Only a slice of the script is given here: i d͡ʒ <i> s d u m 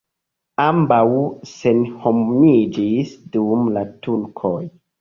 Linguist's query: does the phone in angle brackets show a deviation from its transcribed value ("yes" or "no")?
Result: no